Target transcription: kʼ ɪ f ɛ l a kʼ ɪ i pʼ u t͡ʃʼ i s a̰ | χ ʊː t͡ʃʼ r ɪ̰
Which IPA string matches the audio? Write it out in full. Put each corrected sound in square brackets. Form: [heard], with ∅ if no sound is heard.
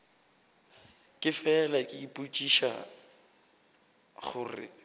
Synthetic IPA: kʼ ɪ f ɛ l a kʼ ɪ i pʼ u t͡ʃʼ i [ʃ] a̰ | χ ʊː [∅] r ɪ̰